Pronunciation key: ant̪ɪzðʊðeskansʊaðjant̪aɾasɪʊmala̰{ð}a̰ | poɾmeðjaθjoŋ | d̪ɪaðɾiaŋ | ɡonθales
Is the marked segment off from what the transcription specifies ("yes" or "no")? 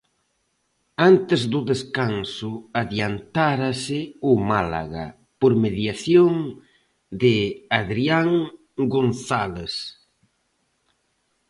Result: yes